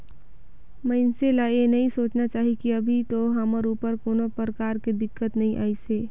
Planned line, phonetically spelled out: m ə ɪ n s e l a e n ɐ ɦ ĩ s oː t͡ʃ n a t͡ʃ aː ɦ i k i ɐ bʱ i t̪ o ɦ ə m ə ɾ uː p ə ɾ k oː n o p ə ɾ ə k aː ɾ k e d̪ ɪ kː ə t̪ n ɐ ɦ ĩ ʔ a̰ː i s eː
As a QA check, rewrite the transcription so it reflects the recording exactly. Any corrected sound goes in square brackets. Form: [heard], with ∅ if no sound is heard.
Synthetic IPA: m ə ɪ n s e l a e n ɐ ɦ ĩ s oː t͡ʃ n a t͡ʃ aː ɦ i k i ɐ bʱ i t̪ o ɦ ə m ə ɾ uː p ə ɾ k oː n o p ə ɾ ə k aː ɾ k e d̪ ɪ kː ə t̪ n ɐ ɦ ĩ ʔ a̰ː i s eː